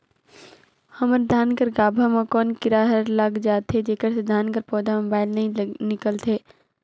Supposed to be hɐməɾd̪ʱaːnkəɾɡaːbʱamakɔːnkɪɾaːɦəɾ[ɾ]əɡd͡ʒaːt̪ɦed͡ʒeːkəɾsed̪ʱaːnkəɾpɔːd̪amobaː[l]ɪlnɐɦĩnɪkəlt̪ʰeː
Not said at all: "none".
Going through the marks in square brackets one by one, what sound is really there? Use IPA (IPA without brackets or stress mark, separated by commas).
l, none